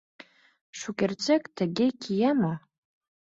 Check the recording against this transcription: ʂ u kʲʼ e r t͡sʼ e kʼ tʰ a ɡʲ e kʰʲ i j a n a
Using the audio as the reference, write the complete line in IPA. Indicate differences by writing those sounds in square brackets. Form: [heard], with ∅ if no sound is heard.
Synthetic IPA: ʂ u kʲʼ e r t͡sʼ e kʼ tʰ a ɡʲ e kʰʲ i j a [m] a